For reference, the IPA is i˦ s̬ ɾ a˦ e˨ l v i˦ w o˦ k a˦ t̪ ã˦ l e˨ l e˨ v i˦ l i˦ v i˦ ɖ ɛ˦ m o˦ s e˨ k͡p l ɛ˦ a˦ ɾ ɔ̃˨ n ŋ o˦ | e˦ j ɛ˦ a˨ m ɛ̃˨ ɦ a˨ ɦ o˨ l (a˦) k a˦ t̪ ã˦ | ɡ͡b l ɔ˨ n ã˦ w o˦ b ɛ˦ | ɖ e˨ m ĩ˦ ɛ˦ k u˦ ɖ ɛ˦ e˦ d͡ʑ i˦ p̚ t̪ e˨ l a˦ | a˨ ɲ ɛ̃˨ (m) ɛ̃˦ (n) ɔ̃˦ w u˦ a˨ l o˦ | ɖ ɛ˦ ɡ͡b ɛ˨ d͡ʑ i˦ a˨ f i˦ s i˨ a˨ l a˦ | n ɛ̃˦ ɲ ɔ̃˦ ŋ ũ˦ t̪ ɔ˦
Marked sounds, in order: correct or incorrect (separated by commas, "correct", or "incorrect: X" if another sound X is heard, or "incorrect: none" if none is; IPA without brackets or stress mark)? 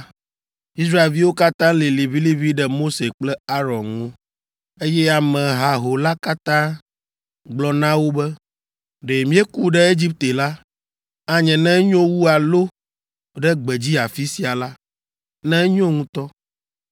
correct, incorrect: n, incorrect: ɲ